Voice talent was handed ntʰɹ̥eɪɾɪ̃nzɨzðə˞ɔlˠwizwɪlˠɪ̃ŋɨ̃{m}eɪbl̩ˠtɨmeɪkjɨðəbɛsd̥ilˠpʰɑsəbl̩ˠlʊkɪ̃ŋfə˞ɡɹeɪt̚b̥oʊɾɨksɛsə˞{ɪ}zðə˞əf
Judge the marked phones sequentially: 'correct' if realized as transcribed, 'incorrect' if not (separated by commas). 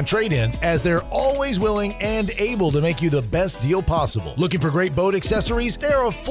incorrect, incorrect